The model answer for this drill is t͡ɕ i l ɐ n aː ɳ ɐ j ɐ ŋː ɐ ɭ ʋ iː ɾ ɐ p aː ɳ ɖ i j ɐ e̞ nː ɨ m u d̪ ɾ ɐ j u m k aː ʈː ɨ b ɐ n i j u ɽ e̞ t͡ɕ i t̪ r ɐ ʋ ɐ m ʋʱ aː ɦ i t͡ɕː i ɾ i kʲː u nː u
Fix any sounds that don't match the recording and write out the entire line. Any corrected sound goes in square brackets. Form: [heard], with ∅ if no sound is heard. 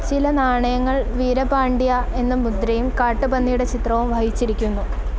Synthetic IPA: t͡ɕ i l ɐ n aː ɳ ɐ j ɐ ŋː ɐ ɭ ʋ iː ɾ ɐ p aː ɳ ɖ i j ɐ e̞ nː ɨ m u d̪ ɾ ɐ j u m k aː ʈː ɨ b ɐ [nː] i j u ɽ e̞ t͡ɕ i t̪ r ɐ ʋ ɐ m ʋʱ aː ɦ i t͡ɕː i ɾ i kʲː u nː u